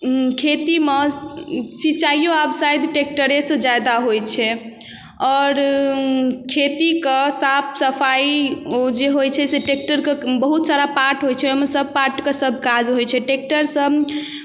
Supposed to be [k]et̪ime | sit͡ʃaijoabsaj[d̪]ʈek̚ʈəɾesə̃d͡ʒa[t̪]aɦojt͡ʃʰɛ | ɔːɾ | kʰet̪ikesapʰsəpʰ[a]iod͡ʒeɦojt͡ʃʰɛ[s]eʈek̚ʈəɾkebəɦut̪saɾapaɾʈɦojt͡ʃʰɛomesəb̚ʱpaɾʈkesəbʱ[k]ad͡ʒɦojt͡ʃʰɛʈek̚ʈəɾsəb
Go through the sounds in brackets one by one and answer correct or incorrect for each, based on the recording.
incorrect: kʰ, correct, incorrect: d̪, correct, correct, correct

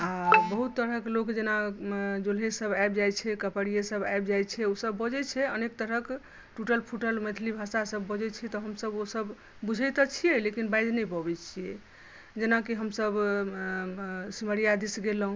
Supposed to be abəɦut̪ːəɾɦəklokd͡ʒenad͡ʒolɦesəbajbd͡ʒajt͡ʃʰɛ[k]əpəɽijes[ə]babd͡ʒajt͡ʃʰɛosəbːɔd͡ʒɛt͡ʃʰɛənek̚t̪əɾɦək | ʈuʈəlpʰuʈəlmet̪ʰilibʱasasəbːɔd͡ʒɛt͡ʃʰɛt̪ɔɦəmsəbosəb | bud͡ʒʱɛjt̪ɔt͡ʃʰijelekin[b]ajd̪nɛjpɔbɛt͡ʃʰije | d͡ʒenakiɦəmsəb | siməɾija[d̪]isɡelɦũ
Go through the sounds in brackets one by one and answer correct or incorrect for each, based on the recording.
correct, correct, correct, correct

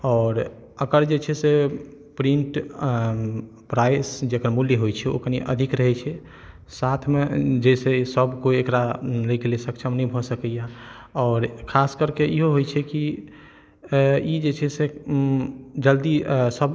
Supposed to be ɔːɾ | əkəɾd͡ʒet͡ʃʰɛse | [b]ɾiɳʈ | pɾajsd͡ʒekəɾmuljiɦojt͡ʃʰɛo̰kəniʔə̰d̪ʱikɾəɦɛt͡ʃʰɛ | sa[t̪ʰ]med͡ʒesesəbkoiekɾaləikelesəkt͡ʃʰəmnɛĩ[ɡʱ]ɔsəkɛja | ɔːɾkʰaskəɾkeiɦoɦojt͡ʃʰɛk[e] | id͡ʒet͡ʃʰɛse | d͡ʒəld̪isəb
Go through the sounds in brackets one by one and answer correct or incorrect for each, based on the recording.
incorrect: p, correct, incorrect: bʱ, incorrect: i

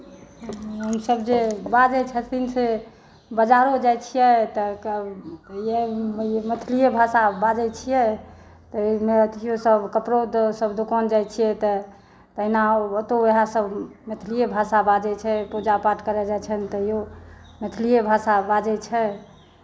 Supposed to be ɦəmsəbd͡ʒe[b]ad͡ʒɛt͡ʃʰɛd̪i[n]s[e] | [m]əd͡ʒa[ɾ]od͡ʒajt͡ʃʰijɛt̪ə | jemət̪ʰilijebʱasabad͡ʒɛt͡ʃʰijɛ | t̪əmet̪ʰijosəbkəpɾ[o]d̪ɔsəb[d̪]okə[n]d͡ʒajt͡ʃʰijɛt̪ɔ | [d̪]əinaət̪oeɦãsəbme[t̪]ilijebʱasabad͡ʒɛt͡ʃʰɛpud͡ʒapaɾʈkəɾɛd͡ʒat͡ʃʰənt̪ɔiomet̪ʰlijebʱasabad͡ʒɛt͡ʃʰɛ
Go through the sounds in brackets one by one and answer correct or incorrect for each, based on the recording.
correct, correct, correct, incorrect: b, correct, correct, correct, correct, incorrect: t̪, incorrect: t̪ʰ

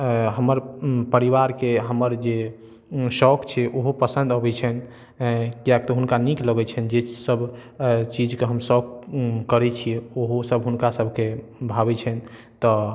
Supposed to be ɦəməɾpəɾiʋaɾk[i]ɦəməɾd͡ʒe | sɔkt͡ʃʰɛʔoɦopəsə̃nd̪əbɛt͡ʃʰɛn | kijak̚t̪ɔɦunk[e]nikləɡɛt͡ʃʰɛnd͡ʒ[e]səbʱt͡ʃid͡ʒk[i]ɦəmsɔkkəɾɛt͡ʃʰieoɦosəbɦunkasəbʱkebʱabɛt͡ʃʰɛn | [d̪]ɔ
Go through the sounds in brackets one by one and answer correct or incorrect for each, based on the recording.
incorrect: e, incorrect: a, correct, incorrect: e, incorrect: t̪

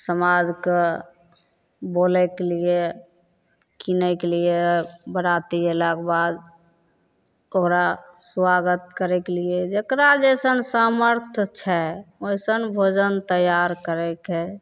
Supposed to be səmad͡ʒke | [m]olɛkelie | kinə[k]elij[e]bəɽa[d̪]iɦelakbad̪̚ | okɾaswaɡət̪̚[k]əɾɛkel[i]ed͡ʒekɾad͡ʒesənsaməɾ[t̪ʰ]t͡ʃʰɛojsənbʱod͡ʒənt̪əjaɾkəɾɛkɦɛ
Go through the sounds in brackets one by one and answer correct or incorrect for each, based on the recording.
incorrect: b, correct, correct, incorrect: t̪, correct, correct, correct

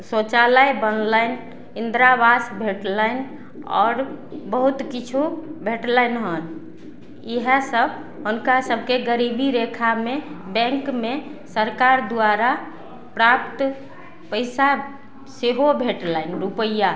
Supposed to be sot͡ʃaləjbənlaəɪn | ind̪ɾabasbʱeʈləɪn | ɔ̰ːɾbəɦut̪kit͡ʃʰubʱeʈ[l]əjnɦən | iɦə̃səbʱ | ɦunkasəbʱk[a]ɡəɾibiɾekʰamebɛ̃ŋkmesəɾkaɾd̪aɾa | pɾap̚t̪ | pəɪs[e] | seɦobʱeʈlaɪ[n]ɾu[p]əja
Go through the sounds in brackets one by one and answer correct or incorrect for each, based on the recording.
correct, incorrect: e, incorrect: a, correct, correct

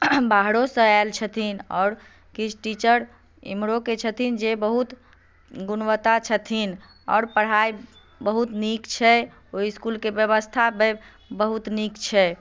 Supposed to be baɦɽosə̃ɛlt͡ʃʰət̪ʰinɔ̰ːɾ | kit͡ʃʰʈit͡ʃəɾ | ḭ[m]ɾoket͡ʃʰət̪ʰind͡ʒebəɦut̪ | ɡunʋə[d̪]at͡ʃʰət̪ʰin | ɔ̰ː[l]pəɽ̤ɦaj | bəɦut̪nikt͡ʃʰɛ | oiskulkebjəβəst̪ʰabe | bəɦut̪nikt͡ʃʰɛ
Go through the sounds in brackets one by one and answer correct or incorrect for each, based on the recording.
correct, incorrect: t̪, incorrect: ɾ

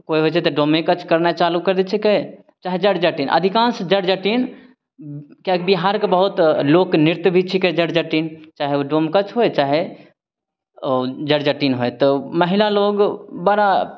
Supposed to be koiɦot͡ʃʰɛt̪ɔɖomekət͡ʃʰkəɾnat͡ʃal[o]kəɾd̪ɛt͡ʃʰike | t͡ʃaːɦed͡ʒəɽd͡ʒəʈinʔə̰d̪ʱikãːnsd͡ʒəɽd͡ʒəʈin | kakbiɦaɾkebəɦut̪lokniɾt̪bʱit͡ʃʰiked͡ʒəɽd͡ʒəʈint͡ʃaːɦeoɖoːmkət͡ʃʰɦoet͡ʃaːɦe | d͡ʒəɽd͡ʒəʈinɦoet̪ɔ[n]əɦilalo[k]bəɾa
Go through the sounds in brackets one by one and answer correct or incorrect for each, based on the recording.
incorrect: u, incorrect: m, incorrect: ɡ

